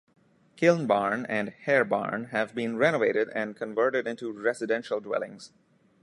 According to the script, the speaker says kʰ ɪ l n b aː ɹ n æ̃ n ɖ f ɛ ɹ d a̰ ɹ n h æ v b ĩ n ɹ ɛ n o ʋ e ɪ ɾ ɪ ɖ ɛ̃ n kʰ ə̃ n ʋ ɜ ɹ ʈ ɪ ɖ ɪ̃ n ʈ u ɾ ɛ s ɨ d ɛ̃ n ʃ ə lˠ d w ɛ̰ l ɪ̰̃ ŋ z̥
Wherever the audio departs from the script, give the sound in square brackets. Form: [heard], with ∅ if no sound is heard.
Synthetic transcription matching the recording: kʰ ɪ l n b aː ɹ n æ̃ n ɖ [h] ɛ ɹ [b] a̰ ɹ n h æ v b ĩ n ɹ ɛ n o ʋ e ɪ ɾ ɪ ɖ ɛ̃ n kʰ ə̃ n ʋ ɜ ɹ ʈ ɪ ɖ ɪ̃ n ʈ u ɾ ɛ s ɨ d ɛ̃ n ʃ ə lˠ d w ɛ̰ l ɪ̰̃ ŋ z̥